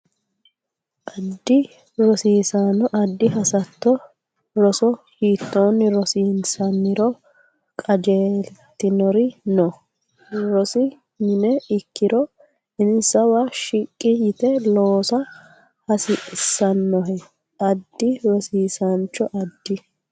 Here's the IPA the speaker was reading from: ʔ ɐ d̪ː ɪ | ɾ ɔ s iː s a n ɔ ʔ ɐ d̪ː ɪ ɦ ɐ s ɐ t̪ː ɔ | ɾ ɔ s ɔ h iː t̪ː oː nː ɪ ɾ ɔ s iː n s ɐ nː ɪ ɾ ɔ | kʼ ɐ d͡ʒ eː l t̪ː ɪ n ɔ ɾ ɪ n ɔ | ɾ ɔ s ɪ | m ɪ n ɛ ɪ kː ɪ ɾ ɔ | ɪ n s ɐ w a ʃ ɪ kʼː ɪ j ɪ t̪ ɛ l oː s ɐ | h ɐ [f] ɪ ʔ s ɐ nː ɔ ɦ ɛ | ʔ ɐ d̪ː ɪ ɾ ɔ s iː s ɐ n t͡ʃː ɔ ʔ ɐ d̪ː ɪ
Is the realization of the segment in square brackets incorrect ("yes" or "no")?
yes